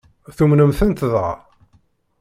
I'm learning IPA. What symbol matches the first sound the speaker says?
θ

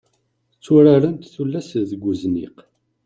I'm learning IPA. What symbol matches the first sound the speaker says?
t͡sː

